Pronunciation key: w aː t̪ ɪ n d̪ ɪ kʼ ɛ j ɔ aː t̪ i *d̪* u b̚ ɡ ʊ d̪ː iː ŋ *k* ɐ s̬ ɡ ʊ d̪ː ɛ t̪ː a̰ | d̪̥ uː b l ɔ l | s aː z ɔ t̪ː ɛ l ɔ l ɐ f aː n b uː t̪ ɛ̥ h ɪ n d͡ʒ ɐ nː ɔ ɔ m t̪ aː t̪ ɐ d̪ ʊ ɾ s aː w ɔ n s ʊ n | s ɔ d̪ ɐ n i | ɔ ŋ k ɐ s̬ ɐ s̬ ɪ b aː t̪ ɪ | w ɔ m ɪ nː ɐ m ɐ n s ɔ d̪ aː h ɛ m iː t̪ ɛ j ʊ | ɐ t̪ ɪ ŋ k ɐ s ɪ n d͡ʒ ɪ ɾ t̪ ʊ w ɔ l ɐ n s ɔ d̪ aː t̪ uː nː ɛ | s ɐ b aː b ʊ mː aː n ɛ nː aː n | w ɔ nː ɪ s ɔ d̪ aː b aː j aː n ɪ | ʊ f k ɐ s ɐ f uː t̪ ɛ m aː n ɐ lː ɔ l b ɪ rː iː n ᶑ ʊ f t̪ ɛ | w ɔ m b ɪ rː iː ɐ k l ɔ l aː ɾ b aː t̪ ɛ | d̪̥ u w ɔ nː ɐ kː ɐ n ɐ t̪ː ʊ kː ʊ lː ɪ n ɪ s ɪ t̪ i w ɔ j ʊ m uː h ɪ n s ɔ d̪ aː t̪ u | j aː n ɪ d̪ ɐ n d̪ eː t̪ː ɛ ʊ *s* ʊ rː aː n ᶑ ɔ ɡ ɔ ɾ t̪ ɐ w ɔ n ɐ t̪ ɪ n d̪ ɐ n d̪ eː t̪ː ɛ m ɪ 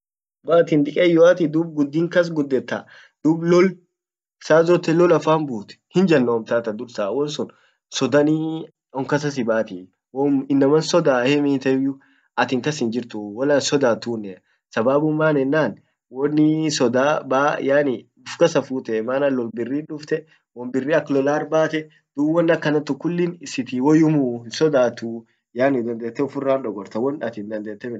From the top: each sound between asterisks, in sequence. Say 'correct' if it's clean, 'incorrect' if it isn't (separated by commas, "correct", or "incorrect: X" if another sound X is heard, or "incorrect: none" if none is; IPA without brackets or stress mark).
correct, correct, incorrect: f